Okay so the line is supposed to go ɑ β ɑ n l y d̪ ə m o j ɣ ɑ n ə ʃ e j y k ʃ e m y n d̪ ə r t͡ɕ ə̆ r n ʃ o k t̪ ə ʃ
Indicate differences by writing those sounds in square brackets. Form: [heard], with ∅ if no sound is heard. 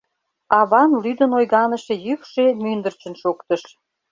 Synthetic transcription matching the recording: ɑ β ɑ n l y d̪ ə [n] o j ɣ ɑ n ə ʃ e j y k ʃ e m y n d̪ ə r t͡ɕ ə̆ [∅] n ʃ o k t̪ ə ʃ

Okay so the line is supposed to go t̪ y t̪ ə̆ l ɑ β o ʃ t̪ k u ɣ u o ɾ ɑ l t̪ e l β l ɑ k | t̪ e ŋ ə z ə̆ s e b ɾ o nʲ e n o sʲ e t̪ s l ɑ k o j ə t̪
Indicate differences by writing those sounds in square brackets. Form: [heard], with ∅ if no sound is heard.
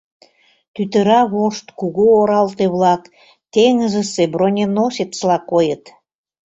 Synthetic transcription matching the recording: t̪ y t̪ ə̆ [ɾ] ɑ β o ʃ t̪ k u ɣ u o ɾ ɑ l t̪ e [∅] β l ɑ k | t̪ e ŋ ə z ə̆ s e b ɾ o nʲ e n o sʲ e t̪ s l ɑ k o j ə t̪

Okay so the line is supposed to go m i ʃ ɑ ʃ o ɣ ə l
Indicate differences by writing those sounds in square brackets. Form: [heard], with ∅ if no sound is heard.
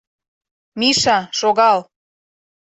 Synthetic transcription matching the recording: m i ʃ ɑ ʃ o ɣ [ɑ] l

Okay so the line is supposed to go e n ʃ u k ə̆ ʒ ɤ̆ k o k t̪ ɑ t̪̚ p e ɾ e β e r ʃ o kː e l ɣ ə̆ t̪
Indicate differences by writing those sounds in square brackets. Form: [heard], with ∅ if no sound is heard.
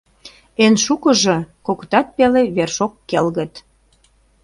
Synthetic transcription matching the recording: e n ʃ u k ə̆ ʒ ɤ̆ k o k t̪ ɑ t̪̚ p e [l] e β e r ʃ o kː e l ɣ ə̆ t̪

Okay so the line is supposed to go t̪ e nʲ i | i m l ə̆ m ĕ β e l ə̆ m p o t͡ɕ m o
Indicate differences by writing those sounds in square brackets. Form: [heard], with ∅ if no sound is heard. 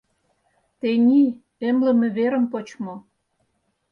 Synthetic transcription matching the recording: t̪ e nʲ i | [e] m l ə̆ m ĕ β e [ɾ] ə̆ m p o t͡ɕ m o

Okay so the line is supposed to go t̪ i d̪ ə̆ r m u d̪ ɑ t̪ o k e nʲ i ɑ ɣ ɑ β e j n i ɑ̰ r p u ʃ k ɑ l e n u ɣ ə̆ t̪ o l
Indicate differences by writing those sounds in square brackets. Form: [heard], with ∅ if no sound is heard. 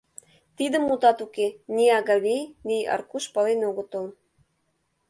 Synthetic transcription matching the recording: t̪ i d̪ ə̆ [∅] m u [t̪] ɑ t̪ [u] k e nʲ i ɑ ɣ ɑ β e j n i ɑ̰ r [k] u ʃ [p] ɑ l e n [o] ɣ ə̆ t̪ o l

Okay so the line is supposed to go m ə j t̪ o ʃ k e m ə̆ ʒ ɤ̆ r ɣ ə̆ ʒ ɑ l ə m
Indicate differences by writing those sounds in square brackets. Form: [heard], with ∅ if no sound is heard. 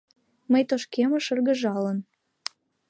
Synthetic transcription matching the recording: m ə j t̪ o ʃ k e m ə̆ [ʃ] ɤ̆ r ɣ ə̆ ʒ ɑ l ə [n]

